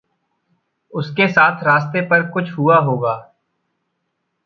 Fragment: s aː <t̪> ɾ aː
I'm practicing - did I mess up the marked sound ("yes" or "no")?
yes